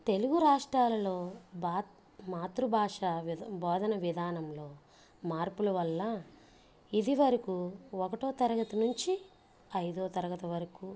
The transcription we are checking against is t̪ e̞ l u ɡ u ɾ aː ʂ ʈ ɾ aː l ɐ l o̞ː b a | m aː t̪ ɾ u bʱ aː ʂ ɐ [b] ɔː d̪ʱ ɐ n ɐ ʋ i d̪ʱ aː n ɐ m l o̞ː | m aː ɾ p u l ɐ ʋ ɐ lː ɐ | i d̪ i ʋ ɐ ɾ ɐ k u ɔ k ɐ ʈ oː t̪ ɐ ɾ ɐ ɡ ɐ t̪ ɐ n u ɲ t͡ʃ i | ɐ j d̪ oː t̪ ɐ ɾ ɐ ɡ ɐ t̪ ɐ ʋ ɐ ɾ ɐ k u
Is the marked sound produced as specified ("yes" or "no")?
yes